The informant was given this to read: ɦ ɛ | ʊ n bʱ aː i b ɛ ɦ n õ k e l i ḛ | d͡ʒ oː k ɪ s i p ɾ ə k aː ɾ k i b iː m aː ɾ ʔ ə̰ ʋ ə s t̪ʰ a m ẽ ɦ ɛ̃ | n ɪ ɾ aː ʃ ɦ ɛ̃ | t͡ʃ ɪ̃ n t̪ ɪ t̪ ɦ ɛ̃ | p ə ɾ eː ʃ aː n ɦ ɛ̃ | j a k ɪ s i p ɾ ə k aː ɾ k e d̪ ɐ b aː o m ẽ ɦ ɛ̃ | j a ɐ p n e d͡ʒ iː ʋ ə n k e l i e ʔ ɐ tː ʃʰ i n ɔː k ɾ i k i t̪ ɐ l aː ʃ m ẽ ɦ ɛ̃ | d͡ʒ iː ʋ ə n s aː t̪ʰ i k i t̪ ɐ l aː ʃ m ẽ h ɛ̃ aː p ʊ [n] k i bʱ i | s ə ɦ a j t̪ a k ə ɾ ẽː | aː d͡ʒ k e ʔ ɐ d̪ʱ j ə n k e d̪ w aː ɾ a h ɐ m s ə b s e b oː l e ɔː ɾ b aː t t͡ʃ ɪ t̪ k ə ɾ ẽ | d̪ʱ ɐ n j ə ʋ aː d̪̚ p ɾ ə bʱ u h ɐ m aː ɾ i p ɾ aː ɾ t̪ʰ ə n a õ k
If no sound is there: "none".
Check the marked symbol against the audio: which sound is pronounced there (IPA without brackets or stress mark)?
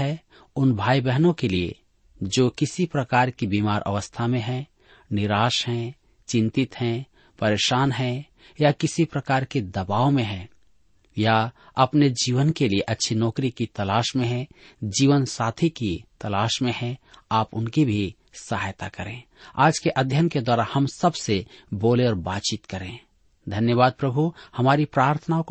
n